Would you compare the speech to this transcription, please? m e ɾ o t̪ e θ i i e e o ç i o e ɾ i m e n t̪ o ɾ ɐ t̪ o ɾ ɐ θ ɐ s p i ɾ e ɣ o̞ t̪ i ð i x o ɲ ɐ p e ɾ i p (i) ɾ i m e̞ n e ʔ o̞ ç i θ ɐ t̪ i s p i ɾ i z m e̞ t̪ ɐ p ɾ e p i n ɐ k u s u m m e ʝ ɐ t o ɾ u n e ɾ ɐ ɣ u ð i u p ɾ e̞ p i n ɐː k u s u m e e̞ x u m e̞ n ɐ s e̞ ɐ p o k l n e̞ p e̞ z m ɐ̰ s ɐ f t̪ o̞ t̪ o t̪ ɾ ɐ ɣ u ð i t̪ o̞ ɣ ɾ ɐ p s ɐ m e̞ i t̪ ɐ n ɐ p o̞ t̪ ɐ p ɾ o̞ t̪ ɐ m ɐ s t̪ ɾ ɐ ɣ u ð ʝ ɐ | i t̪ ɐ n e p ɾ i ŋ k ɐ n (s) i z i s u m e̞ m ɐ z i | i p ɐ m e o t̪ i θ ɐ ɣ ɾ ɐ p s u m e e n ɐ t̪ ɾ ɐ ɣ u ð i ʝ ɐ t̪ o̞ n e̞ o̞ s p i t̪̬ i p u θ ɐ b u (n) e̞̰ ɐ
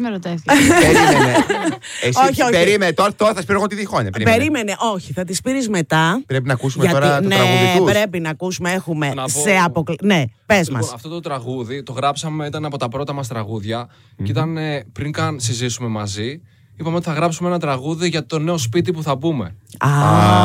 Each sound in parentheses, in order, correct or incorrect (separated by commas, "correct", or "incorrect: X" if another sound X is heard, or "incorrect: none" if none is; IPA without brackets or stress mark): incorrect: e, correct, incorrect: m